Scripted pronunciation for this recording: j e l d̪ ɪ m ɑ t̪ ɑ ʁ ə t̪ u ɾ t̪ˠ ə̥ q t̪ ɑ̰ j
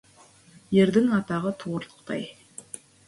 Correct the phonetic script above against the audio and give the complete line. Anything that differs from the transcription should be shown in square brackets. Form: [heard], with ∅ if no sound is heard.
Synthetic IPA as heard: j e [ɾ] d̪ ɪ [ŋ] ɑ t̪ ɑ ʁ ə [t̪ʰ] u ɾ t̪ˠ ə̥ q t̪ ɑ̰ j